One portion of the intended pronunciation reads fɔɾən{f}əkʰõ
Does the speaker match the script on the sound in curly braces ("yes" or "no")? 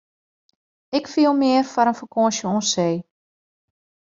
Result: yes